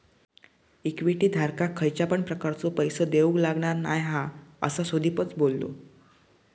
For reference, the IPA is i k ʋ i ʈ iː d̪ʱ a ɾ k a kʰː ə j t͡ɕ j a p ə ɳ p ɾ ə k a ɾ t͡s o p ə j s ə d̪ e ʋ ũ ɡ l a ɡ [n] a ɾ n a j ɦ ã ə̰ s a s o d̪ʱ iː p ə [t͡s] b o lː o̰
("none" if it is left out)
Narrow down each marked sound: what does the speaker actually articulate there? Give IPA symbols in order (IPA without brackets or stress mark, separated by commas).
ɳ, t͡s